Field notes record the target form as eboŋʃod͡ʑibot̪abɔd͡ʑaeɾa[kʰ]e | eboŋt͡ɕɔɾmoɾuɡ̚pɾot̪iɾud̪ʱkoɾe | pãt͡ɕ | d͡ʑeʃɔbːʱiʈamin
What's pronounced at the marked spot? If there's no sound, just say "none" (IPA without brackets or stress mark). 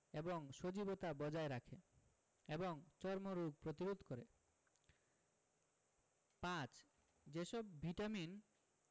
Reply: kʰ